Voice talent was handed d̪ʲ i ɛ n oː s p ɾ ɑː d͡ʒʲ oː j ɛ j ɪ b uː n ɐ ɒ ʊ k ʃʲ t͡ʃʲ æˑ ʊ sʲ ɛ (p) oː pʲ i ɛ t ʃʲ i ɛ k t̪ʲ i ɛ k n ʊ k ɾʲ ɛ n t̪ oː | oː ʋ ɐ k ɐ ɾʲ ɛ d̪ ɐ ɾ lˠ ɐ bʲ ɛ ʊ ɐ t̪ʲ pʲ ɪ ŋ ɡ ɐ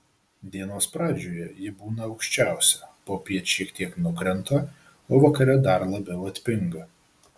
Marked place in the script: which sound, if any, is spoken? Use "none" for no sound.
p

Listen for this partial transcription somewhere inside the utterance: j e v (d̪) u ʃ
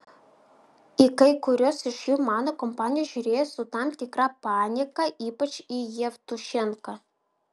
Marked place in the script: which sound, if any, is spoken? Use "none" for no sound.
t̪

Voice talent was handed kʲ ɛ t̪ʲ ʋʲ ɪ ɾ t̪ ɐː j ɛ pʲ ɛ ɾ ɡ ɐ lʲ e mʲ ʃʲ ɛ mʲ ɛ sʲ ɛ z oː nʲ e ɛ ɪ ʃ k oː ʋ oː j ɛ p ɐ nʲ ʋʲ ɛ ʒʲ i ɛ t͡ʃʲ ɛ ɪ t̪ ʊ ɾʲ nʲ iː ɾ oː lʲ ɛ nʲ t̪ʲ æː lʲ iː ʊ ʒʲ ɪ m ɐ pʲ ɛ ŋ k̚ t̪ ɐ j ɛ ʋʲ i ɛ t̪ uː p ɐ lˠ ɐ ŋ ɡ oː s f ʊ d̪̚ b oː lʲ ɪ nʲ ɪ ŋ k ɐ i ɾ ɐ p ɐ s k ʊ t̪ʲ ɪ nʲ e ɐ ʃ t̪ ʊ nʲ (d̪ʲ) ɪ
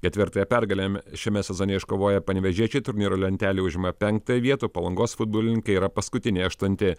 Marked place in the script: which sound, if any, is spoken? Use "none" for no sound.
t̪ʲ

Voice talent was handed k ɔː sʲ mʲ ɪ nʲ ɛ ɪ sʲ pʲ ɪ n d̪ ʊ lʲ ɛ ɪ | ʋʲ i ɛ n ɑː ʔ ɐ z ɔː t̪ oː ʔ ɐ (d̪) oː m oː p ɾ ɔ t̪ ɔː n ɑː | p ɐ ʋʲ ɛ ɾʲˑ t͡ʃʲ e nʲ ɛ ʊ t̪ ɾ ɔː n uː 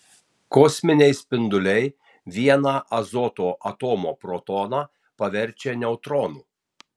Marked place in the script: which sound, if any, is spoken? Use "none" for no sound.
t̪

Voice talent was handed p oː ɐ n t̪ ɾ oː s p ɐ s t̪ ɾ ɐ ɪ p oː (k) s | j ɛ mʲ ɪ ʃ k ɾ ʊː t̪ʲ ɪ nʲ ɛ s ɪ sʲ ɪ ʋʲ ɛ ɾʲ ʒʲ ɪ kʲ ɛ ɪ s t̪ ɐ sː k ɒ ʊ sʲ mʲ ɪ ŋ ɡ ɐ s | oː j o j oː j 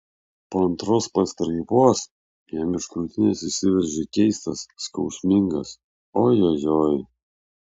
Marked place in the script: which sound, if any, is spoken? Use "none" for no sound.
none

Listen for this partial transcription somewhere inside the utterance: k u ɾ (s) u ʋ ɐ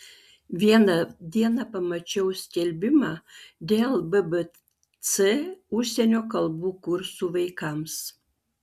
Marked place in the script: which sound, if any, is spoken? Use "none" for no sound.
s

